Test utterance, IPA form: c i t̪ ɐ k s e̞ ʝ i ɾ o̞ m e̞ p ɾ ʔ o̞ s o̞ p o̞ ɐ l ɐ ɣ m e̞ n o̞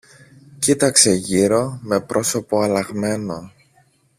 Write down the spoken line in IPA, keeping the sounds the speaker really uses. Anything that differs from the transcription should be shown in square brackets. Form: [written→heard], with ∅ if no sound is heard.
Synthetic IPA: c i t̪ ɐ k s e̞ ʝ i ɾ o̞ m e̞ p ɾ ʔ o̞ s o̞ p o̞ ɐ l ɐ ɣ m e̞ n o̞